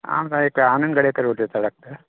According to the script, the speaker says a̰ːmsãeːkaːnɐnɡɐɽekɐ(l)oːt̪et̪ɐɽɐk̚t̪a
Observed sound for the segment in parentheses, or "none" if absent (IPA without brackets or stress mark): ɾ